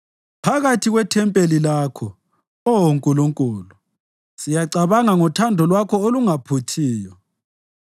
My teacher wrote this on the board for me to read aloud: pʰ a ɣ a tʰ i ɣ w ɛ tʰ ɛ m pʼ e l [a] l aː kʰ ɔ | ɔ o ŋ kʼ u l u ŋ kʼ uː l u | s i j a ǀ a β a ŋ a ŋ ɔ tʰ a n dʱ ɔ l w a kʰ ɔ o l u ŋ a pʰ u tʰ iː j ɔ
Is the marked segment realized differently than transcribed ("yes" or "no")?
yes